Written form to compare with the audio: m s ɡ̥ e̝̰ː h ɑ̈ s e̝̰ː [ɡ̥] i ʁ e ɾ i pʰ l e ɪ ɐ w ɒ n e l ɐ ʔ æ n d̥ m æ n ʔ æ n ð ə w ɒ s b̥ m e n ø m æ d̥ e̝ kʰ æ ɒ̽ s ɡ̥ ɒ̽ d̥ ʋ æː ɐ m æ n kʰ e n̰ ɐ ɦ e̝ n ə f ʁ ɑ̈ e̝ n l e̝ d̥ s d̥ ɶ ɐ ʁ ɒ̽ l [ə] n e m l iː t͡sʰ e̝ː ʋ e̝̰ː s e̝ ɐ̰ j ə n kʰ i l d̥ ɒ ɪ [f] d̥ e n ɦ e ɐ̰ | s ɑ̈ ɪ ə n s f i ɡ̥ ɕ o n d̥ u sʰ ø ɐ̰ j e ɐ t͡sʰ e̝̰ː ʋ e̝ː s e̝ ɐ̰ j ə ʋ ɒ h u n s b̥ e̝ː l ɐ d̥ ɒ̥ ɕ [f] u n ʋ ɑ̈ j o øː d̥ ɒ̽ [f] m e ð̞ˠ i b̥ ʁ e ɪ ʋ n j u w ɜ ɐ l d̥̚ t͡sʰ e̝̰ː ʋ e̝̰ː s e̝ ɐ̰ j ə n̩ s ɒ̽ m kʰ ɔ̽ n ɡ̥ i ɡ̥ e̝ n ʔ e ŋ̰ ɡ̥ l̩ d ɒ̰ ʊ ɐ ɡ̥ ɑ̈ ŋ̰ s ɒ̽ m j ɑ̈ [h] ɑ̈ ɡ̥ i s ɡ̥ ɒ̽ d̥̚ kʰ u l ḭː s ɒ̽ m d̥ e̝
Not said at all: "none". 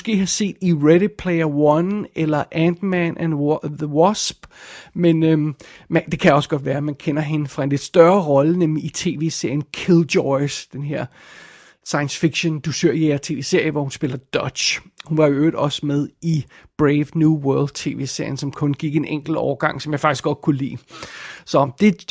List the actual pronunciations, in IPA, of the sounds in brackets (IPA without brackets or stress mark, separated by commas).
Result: d̥, ə, s, h, s, f